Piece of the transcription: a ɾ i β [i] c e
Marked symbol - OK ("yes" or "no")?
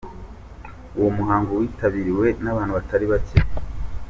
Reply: no